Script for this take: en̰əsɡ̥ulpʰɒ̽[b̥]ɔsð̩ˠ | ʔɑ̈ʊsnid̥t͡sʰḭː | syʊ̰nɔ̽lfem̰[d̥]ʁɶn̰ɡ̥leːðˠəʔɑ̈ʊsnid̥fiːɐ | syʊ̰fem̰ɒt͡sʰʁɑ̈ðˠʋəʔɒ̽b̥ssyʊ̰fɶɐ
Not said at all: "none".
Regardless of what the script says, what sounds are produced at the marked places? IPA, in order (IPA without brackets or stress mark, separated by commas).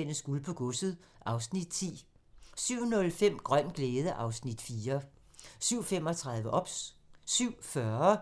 ɡ̥, ɡ̥